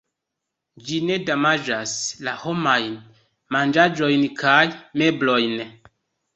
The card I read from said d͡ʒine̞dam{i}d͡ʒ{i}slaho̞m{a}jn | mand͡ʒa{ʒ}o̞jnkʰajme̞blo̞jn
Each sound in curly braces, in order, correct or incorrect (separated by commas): incorrect, incorrect, correct, incorrect